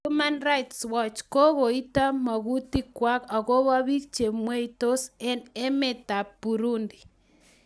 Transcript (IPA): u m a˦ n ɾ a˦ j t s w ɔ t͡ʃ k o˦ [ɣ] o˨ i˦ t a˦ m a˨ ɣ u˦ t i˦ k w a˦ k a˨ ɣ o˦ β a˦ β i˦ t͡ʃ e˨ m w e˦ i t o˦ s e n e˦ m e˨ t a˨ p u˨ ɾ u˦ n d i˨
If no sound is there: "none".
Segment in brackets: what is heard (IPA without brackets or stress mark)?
ɣ